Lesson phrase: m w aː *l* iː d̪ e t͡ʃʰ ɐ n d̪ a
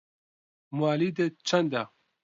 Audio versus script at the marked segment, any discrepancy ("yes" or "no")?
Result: no